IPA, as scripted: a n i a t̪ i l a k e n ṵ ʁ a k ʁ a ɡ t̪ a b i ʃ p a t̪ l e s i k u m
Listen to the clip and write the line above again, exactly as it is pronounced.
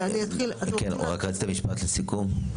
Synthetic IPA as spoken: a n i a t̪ i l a k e n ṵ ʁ a k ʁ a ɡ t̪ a m i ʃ p a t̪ l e s i k u m